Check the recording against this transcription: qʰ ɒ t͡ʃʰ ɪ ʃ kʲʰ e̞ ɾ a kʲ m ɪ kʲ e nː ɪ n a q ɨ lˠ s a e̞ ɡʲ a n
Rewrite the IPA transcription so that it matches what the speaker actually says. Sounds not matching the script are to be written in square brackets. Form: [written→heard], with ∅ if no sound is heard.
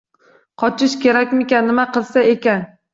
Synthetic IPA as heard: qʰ ɒ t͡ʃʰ ɪ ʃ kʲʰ e̞ ɾ a kʲ m ɪ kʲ [e→a] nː ɪ [n→m] a q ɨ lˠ s a e̞ [ɡʲ→kʲ] a n